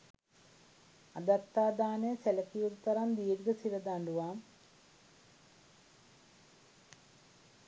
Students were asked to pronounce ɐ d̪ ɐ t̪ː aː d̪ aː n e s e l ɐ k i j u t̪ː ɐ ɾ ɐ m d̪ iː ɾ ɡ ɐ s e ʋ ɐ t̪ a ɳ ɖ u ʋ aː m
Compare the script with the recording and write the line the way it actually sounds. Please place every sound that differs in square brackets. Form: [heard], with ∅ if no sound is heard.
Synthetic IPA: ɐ d̪ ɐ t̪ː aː d̪ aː n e s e l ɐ k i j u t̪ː ɐ ɾ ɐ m d̪ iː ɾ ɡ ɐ s [i] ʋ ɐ [d̪] a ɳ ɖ u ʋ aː m